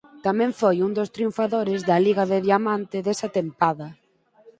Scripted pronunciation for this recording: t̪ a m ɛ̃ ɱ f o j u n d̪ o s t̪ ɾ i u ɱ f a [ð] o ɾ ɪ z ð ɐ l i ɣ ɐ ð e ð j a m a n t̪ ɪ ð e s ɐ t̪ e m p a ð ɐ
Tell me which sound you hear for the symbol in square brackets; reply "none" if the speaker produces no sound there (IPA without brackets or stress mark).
ð